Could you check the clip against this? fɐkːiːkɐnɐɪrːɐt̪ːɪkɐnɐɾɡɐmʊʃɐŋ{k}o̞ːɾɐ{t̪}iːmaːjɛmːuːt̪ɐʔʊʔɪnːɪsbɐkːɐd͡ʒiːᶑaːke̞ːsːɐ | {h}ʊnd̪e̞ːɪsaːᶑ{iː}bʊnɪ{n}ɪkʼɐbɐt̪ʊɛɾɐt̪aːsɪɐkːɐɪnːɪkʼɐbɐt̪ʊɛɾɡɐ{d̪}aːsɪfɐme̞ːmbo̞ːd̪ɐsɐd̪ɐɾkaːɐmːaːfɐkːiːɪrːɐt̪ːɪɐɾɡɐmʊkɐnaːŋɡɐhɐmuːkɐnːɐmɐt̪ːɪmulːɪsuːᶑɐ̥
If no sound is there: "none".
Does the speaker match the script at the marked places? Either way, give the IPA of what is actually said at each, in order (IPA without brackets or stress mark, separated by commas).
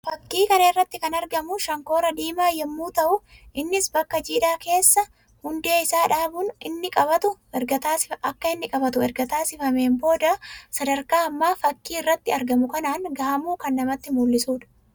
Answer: k, d̪, h, aː, nː, t̪